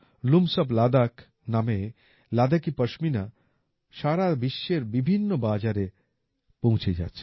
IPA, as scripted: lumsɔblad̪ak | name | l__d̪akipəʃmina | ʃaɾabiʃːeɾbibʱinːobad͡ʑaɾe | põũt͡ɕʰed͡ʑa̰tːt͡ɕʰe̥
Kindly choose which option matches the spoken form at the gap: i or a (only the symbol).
a